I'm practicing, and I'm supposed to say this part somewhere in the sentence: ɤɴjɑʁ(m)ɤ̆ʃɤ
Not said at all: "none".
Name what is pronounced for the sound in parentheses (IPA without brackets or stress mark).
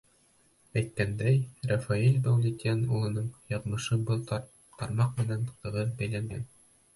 m